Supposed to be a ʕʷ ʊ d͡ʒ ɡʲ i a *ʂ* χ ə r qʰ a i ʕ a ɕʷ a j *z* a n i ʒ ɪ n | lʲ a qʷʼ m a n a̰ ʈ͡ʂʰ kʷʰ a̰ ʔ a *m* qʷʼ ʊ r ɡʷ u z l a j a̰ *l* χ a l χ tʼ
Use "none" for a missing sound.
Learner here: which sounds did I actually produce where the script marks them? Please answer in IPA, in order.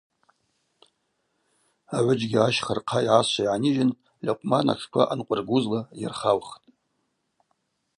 ʃ, ʕ, n, r

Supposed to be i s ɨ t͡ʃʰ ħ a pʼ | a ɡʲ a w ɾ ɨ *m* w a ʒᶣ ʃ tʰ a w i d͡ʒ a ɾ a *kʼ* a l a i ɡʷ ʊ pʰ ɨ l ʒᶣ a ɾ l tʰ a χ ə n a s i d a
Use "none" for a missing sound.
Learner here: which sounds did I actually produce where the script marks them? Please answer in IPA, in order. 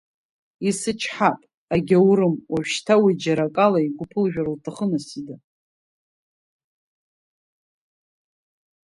m, kʼ

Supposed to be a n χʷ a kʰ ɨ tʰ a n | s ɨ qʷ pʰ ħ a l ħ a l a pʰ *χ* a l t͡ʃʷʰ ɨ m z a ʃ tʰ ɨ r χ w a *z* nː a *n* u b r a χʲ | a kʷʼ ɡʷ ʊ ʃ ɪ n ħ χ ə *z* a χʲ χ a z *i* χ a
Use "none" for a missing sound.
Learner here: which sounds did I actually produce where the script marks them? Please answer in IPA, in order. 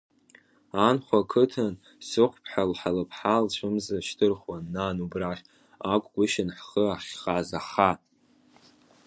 ħ, none, n, none, a

